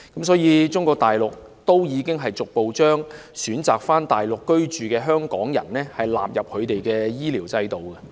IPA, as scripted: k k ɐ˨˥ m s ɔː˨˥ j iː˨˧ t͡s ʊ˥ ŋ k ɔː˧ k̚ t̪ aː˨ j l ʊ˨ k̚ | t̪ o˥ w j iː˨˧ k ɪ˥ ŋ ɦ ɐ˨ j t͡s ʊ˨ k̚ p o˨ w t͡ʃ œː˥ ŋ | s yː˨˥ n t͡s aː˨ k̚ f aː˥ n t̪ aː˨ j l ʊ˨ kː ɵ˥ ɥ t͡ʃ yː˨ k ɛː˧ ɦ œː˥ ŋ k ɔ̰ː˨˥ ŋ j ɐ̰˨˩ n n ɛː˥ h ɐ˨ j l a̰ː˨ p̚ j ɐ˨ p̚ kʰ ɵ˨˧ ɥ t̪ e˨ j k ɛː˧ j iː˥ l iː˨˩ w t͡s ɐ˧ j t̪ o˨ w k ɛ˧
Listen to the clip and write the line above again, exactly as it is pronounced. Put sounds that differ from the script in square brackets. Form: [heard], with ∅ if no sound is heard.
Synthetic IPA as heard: k k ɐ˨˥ m s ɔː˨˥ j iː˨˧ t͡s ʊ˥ ŋ k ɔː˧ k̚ t̪ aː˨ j l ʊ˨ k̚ | t̪ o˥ w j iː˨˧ k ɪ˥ ŋ ɦ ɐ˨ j t͡s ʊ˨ k̚ p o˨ w t͡ʃ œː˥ ŋ | s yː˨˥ n t͡s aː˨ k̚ f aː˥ n t̪ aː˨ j l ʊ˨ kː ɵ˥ ɥ t͡ʃ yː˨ k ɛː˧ ɦ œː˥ ŋ k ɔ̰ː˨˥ ŋ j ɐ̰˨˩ n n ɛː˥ h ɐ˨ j l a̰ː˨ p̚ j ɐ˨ p̚ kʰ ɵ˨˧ ɥ t̪ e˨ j k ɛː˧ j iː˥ l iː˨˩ w t͡s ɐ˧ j t̪ o˨ w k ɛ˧

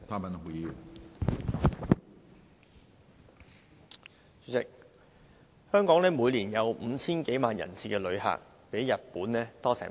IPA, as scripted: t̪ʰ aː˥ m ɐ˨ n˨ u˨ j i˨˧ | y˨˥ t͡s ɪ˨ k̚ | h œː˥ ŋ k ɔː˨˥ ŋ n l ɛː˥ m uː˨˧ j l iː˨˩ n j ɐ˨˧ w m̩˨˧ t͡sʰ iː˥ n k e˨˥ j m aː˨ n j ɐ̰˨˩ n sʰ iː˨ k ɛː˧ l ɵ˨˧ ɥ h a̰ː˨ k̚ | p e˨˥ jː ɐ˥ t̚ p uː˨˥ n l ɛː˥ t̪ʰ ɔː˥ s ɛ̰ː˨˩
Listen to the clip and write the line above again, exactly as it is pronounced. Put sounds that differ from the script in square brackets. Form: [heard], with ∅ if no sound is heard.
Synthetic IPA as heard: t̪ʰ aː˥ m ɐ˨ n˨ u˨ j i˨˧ | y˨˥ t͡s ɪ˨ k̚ | h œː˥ ŋ k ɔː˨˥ ŋ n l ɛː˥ m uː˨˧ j l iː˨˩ n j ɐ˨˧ w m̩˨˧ t͡sʰ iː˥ n k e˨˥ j m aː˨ n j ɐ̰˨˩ n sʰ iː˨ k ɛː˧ l ɵ˨˧ ɥ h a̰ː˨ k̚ | p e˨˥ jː [ɐ˨] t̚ p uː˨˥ n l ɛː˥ [t̪] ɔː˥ s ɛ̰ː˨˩

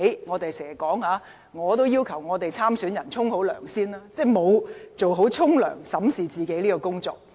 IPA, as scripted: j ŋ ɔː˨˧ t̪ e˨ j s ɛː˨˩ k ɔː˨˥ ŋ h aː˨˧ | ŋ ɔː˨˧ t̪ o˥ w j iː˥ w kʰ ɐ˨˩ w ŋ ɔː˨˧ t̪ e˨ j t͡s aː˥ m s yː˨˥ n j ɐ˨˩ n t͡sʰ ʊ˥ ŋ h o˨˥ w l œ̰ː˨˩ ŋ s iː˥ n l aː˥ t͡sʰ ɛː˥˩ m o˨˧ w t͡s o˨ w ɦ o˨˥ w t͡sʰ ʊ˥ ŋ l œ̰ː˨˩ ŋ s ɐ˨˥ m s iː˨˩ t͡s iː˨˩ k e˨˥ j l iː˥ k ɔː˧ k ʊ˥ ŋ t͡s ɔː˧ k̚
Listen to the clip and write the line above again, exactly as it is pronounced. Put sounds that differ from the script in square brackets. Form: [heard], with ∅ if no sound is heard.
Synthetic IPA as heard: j ŋ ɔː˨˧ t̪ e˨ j s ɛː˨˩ k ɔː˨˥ ŋ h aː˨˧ | ŋ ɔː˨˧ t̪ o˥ w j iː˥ w kʰ ɐ˨˩ w ŋ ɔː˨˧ t̪ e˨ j [t͡sʰ] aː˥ m s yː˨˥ n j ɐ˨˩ n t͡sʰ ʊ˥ ŋ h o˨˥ w l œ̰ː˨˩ ŋ s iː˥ n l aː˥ [t͡s] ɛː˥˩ m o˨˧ w t͡s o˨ w ɦ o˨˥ w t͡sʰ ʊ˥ ŋ l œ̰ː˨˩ ŋ s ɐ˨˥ m s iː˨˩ t͡s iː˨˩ k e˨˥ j l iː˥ k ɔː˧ k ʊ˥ ŋ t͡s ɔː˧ k̚

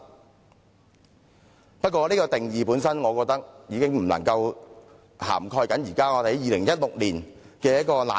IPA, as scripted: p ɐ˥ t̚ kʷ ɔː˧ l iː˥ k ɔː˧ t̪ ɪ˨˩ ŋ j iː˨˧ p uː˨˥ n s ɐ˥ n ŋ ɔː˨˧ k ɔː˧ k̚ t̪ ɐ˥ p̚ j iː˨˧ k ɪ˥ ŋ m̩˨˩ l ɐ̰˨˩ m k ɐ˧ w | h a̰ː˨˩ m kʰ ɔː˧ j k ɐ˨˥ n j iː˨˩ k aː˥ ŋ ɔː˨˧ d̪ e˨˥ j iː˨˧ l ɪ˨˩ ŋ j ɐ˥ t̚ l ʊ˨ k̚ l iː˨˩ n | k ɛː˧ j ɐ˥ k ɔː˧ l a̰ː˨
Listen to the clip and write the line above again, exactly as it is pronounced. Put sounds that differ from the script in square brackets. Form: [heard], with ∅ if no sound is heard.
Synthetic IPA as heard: p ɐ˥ t̚ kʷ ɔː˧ l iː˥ k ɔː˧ t̪ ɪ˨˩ ŋ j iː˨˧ p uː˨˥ n s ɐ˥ n ŋ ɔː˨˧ k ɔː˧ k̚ t̪ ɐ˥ [k̚] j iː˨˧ k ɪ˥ ŋ m̩˨˩ l ɐ̰˨˩ [ŋ] k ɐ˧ w | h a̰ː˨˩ m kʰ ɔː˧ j k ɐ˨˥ n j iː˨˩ k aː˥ ŋ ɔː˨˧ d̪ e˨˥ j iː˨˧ l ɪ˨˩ ŋ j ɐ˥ t̚ l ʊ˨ k̚ l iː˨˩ n | k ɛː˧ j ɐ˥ k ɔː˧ l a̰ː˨

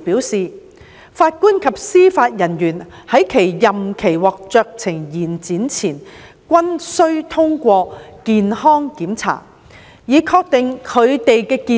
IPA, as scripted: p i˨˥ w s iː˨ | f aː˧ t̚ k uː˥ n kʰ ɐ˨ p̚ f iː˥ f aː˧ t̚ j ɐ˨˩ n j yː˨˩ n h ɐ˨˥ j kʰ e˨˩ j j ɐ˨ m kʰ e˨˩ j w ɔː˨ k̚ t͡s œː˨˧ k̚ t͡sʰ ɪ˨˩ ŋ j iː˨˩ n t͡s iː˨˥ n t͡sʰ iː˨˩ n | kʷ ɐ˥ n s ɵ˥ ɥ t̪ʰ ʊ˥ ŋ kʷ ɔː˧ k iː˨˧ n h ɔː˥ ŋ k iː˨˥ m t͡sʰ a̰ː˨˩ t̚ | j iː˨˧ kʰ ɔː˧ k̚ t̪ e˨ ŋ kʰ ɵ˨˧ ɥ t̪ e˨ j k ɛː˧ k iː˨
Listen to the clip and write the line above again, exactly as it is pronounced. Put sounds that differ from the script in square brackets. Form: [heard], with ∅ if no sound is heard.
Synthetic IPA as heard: p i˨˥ w s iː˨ | f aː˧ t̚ k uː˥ n kʰ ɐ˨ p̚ [s] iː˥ f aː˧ t̚ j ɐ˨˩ n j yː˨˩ n h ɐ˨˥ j kʰ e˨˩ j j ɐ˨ m kʰ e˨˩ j w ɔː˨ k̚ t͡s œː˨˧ k̚ t͡sʰ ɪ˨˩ ŋ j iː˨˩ n t͡s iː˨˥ n t͡sʰ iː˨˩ n | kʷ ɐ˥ n s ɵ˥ ɥ t̪ʰ ʊ˥ ŋ kʷ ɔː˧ k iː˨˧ n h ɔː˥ ŋ k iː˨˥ m t͡sʰ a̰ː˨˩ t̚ | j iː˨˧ kʰ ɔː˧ k̚ t̪ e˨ ŋ kʰ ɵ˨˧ ɥ t̪ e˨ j k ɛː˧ k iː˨

